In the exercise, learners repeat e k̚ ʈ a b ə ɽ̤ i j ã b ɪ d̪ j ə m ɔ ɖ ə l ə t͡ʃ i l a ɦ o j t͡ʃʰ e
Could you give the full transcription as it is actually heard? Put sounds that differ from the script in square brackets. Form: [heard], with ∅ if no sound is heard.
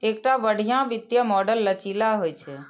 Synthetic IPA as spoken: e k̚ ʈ a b ə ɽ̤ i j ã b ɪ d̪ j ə m ɔ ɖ ə [lː] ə t͡ʃ i l a ɦ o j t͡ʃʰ e